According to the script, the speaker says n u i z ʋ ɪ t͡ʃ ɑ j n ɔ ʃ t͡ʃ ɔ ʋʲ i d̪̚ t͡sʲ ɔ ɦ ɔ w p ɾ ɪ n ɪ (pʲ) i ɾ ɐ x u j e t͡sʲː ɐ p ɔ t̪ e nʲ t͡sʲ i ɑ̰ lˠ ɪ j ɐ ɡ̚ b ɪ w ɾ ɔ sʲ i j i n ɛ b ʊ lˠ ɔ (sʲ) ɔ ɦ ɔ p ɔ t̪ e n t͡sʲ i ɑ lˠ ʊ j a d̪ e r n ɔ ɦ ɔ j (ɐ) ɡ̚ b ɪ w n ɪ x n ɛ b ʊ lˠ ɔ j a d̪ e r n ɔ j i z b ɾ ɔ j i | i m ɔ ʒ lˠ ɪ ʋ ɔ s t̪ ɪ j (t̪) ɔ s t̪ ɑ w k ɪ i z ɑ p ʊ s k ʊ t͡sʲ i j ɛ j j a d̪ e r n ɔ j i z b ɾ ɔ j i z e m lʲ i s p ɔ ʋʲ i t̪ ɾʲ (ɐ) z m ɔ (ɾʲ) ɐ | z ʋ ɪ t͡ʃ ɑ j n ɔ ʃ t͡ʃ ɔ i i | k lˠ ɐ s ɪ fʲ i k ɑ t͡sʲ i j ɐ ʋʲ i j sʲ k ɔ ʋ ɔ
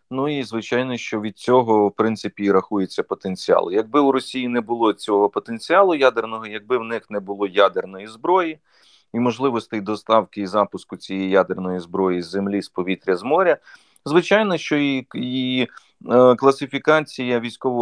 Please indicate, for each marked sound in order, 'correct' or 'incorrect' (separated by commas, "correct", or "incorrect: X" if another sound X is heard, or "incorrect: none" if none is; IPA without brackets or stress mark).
correct, incorrect: t͡sʲ, correct, incorrect: d̪, correct, correct